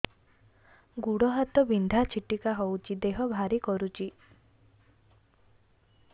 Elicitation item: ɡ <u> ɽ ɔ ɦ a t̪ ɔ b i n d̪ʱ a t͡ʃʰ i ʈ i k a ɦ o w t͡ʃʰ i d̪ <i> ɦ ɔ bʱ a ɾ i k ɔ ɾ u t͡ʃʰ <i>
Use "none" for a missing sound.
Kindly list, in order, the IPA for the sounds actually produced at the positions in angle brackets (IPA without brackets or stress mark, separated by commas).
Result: u, e, i